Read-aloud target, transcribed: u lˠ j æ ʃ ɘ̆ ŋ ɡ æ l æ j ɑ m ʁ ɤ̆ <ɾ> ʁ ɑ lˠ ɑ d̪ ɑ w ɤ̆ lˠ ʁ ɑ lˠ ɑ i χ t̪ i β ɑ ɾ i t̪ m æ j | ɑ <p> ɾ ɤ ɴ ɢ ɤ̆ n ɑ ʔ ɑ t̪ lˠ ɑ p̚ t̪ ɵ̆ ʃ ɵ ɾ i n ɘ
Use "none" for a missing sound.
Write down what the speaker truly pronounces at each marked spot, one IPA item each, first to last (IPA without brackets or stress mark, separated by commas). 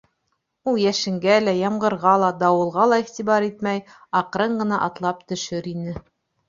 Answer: ɾ, q